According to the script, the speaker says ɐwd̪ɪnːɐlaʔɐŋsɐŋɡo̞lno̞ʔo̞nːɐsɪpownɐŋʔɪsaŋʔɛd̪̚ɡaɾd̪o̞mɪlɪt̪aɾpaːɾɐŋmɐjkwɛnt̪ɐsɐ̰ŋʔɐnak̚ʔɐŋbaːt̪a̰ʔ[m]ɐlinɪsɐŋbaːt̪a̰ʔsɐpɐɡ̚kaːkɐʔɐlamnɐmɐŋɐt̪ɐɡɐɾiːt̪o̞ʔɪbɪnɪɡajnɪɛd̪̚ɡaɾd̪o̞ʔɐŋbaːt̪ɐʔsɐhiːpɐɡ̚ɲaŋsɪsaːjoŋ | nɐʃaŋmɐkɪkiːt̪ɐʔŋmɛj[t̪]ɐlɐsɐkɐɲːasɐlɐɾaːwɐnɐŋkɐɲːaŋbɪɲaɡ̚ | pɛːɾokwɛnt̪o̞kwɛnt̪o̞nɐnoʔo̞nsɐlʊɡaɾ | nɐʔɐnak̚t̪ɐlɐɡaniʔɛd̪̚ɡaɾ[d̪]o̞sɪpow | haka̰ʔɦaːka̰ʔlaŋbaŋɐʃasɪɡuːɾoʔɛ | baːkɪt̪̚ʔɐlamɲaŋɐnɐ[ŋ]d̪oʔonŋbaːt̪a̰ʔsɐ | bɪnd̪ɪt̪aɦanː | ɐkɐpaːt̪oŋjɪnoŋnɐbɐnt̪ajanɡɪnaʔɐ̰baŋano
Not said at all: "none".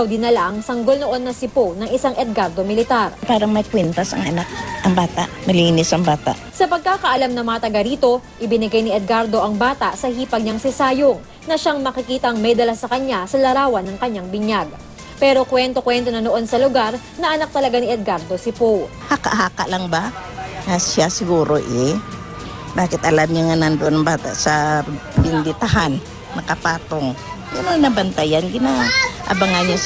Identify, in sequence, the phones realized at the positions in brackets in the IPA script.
m, d̪, d̪, n

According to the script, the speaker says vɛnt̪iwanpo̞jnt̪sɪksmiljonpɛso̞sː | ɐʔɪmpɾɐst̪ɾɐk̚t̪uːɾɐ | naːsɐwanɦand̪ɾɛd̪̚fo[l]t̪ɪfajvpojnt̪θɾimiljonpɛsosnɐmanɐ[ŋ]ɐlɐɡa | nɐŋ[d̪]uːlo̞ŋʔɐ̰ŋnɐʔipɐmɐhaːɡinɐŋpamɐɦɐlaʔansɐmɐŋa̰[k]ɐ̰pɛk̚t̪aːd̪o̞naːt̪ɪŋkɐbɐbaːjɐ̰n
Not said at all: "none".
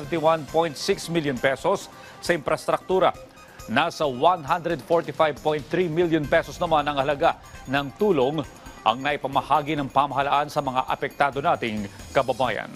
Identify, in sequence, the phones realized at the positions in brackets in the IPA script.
ɹ, ŋ, t̪, ʔ

